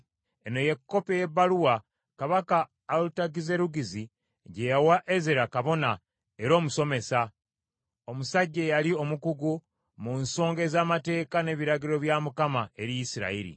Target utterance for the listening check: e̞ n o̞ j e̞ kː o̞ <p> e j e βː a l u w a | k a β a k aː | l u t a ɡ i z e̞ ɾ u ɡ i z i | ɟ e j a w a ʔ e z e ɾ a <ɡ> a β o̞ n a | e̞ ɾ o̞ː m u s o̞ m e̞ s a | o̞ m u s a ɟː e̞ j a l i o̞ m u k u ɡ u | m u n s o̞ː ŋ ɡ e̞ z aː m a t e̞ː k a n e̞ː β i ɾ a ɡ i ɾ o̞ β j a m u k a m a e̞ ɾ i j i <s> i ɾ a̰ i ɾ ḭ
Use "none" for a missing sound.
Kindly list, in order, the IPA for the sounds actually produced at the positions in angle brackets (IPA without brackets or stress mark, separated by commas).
p, k, s